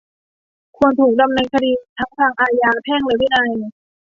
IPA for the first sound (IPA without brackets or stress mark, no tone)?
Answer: kʰ